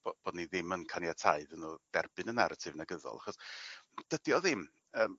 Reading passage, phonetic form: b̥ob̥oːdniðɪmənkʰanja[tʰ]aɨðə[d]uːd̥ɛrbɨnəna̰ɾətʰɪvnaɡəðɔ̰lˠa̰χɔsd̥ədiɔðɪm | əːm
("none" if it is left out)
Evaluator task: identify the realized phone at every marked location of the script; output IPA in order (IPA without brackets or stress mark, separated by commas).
tʰ, n